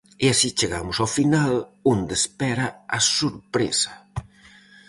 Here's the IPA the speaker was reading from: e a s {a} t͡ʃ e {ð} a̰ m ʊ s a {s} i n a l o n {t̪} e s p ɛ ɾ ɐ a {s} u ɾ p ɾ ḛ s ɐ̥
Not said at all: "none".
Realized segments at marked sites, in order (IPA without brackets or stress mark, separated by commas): i, ɣ, f, d̪, s